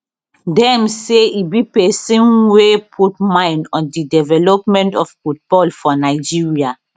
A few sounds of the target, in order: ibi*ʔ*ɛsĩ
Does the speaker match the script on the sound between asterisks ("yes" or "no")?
no